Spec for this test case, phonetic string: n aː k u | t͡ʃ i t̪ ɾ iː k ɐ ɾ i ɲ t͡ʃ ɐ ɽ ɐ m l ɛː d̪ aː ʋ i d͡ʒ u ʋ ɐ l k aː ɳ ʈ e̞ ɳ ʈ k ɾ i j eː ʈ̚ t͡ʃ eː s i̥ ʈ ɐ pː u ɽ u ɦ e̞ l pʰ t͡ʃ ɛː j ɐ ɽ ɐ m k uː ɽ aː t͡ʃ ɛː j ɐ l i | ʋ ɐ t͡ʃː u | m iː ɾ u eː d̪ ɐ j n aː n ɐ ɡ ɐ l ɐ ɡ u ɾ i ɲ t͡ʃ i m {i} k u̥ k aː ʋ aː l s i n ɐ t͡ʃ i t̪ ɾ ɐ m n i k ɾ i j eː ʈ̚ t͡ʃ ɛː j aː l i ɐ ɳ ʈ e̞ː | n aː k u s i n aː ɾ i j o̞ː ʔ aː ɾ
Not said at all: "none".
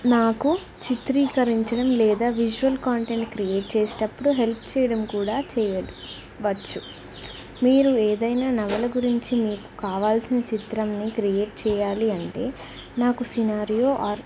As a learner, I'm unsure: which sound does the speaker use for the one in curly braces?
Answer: iː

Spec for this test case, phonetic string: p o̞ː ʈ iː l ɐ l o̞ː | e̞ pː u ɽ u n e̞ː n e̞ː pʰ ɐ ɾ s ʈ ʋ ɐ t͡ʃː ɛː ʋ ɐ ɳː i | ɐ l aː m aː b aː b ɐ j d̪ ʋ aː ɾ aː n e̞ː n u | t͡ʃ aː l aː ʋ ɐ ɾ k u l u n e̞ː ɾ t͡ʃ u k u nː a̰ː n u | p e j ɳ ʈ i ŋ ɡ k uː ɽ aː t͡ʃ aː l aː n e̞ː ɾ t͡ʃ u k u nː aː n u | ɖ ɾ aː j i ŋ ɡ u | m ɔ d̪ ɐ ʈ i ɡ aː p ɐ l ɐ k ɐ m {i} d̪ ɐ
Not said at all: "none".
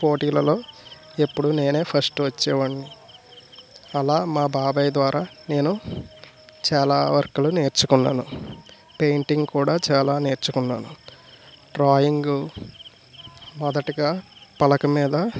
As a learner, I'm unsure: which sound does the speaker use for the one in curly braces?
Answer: iː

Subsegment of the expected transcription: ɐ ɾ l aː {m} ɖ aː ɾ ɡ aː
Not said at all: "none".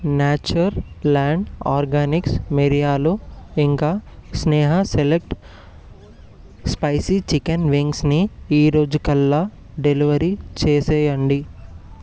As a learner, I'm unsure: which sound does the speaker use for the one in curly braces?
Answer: ɳ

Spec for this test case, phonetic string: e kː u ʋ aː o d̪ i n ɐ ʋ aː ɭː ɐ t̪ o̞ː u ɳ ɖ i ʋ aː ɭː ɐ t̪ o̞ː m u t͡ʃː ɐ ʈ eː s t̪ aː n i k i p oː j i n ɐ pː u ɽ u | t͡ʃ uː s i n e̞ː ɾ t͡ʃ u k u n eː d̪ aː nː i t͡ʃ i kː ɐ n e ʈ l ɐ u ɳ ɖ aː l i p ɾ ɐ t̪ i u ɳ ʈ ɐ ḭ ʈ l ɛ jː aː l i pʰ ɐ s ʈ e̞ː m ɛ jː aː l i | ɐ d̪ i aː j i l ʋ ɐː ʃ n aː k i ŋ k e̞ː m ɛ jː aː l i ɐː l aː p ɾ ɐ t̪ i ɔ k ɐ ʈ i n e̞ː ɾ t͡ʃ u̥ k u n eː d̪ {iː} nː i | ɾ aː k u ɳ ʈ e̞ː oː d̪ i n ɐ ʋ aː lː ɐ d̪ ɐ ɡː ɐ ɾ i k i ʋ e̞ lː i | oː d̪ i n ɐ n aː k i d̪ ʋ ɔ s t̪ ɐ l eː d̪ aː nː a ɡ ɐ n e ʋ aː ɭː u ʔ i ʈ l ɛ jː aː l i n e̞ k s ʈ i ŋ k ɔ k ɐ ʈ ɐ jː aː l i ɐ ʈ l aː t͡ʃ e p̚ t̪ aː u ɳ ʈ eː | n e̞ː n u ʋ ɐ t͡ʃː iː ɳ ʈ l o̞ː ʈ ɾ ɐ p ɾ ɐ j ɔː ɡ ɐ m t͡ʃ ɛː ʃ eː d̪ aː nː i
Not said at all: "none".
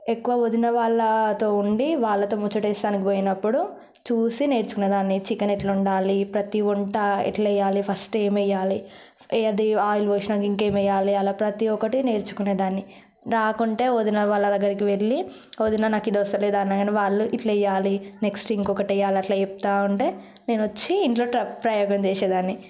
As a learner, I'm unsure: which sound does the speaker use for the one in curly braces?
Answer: aː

